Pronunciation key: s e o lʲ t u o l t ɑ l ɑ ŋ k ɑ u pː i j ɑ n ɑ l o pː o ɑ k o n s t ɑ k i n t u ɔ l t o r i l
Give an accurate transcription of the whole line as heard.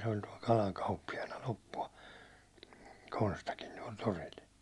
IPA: s e o lʲ t u ɒ l k ɑ l ɑ ŋ k ɑ u pː i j ɑ n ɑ l o pː u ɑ k o n s t ɑ k i n t u ɒ l t o r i l